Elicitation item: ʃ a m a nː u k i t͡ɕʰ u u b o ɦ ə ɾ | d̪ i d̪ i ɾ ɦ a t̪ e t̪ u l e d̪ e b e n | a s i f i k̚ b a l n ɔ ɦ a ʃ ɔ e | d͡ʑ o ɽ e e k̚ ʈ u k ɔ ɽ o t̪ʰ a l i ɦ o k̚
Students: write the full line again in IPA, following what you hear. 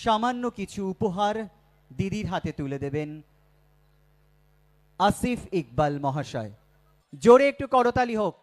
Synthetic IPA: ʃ a m a nː o k i t͡ɕʰ u u p o ɦ a ɾ | d̪ i d̪ i ɾ ɦ a t̪ e t̪ u l e d̪ e b e n | a s i f i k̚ b a l m ɔ ɦ a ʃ ɔ e | d͡ʑ o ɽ e e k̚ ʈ u k ɔ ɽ o t̪ a l i ɦ o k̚